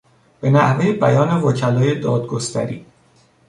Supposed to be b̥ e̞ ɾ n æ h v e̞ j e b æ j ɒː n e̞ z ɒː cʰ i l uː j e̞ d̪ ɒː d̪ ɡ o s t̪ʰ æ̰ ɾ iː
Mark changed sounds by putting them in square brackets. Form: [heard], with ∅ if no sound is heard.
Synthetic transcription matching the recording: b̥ e̞ [∅] n æ h v e̞ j e b æ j ɒː n e̞ [v] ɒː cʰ [æ] l [ɒː] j e̞ d̪ ɒː d̪ ɡ o s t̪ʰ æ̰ ɾ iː